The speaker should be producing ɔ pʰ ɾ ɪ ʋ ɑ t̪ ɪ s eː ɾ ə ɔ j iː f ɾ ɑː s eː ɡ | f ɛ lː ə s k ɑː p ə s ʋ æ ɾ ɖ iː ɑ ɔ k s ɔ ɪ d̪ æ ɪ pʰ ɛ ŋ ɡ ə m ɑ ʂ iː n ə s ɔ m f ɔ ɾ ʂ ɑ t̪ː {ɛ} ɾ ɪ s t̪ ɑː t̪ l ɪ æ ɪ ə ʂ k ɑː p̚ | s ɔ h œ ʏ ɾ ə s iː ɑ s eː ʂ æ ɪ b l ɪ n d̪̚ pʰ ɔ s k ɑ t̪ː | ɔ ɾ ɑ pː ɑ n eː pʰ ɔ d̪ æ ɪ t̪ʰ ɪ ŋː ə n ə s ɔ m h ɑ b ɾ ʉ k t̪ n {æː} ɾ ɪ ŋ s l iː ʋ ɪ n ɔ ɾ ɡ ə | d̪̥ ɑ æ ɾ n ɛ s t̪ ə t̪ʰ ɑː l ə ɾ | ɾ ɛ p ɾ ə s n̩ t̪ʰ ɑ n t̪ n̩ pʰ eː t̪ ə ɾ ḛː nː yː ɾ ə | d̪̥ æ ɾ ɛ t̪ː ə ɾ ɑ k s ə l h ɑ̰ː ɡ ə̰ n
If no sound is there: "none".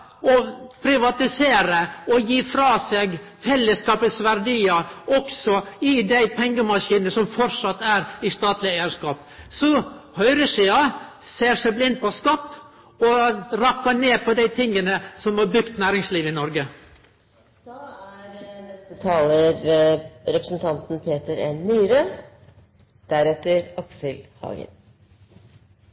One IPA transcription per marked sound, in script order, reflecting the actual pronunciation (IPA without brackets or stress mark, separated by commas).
æ, æː